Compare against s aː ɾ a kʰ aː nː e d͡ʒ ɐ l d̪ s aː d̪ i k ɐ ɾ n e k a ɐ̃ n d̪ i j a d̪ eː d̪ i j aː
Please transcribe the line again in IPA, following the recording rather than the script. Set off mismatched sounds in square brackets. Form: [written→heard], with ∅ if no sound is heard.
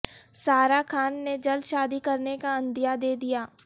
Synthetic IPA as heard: s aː ɾ a kʰ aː nː e d͡ʒ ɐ l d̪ [s→ʃ] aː d̪ i k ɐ ɾ n e k a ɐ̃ n d̪ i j a d̪ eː d̪ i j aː